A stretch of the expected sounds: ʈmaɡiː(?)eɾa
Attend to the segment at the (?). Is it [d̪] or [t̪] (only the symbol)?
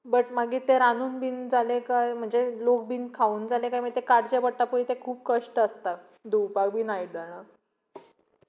t̪